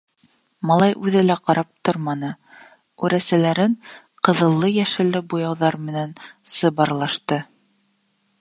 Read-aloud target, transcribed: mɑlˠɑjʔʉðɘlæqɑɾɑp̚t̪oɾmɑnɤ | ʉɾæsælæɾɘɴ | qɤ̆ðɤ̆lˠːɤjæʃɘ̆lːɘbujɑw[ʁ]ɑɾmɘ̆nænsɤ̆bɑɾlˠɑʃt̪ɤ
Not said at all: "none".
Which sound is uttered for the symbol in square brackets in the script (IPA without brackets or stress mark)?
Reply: ð